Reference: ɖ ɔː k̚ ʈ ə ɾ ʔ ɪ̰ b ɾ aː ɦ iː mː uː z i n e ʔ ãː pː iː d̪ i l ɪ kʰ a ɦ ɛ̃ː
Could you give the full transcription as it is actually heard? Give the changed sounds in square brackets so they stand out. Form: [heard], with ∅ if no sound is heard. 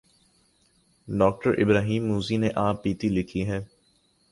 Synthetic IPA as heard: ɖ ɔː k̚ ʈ ə ɾ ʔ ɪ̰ b ɾ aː ɦ iː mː uː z i n e ʔ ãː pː iː [t̪] i l ɪ kʰ [i] ɦ [ɛː]